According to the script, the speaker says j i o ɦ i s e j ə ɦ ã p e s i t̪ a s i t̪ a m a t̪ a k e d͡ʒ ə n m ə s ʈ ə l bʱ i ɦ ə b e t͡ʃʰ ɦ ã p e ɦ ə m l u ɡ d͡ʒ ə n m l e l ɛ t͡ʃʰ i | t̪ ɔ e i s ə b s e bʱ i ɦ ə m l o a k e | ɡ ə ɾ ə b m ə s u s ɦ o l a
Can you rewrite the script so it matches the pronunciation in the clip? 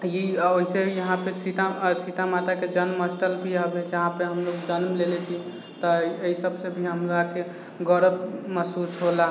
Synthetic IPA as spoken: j i o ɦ i s e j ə ɦ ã p e s i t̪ a s i t̪ a m a t̪ a k e d͡ʒ ə n m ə s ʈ ə l bʱ i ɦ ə b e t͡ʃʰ ɦ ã p e ɦ ə m l o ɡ d͡ʒ ə n m l e l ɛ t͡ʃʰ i | t̪ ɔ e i s ə b s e bʱ i ɦ ə m l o a k e | ɡ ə ɾ ə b m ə s u s ɦ o l a